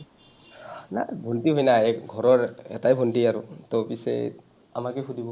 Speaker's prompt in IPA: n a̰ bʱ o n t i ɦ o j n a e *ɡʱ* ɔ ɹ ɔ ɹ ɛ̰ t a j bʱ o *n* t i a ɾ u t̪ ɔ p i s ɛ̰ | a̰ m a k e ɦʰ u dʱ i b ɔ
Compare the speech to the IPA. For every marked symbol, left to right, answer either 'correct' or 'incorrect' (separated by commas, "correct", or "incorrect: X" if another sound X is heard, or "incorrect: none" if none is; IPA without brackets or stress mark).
correct, correct